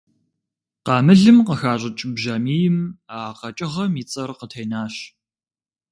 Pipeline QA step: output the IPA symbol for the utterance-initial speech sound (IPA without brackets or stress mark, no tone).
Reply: q